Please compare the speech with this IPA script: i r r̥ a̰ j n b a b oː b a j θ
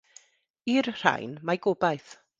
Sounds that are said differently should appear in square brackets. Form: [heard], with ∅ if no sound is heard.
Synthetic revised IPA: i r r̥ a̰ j n [m] a [ɡ] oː b a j θ